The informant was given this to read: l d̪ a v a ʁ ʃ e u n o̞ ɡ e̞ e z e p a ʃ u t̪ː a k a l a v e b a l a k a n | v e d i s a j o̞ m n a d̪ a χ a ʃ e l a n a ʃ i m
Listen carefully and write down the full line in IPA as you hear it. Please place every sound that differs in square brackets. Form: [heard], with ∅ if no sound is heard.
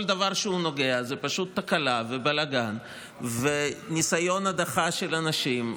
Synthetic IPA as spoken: l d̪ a v a ʁ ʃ e u n o̞ ɡ e̞ [a] z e p a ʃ u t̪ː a k a l a v e b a l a [ɡ] a n | v e [n] i s a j o̞ [∅] n a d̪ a χ a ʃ e l a n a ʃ i m